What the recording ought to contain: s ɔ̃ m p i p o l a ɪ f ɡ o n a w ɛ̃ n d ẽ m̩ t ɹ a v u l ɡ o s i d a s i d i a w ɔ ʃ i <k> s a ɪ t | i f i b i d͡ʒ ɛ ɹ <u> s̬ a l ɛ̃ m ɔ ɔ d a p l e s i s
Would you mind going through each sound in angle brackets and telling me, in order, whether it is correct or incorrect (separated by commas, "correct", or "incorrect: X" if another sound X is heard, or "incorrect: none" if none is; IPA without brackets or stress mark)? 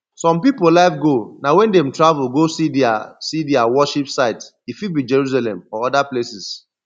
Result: incorrect: p, correct